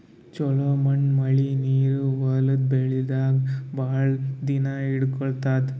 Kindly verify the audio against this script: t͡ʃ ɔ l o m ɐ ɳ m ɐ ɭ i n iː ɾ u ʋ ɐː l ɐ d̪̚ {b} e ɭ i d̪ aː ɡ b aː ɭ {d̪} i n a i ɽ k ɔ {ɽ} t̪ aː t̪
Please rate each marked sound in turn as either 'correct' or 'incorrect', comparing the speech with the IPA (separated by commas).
correct, correct, incorrect